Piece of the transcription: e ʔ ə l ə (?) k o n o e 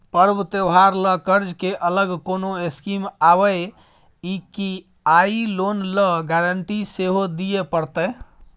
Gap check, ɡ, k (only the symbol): ɡ